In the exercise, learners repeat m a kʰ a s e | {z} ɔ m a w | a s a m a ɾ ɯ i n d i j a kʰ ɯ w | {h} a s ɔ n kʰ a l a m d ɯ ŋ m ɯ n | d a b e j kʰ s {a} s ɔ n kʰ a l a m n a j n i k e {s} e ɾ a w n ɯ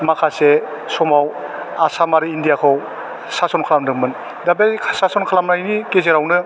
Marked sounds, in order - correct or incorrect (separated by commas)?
incorrect, incorrect, correct, incorrect